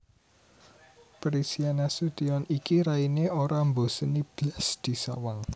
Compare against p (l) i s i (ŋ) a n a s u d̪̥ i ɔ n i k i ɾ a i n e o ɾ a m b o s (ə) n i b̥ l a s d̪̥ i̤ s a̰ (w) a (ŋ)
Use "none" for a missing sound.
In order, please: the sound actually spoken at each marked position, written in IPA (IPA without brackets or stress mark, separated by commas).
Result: ɾ, none, ə, w, ŋ